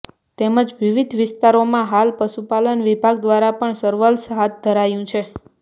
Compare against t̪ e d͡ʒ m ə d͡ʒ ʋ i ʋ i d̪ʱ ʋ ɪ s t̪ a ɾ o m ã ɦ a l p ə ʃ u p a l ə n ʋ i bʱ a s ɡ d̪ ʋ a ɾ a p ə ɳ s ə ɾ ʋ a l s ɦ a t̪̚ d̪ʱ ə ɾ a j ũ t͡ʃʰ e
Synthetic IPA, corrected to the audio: t̪ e m ə d͡ʒ ʋ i ʋ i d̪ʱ ʋ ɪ s t̪ a ɾ o m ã ɦ a l p ə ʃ u p a l ə n ʋ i bʱ a ɡ d̪ ʋ a ɾ a p ə ɳ s ə ɾ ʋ ə l s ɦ a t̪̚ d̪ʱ ə ɾ a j ũ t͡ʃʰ e